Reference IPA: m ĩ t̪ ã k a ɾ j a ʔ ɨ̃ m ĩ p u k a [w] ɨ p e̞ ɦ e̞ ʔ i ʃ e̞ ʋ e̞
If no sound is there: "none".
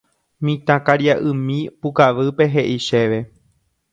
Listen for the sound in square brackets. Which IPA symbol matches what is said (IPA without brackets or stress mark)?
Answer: ʋ